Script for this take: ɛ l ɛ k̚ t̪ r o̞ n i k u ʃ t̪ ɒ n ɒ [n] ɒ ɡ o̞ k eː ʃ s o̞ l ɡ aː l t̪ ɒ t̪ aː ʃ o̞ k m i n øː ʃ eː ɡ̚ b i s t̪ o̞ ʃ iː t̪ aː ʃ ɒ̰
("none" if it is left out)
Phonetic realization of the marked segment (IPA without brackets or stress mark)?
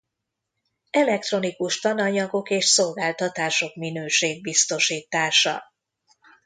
ɲ